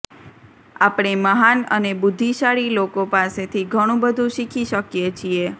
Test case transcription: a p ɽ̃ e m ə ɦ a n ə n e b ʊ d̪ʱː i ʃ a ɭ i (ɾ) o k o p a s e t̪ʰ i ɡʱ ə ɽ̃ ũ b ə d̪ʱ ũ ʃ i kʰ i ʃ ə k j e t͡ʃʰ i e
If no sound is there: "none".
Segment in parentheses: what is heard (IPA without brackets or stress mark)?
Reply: l